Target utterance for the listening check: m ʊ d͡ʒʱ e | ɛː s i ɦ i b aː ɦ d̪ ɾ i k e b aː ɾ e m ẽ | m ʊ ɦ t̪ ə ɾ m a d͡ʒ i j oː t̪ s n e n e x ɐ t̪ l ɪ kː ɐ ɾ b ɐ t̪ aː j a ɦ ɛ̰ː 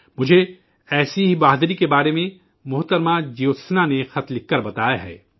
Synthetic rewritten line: m ʊ d͡ʒʱ e | ɛː s i ɦ i b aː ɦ d̪ ɾ i k e b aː ɾ e m ẽ | m ʊ ɦ t̪ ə ɾ m a d͡ʒ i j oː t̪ s n a n e x ɐ t̪ l ɪ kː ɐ ɾ b ɐ t̪ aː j a ɦ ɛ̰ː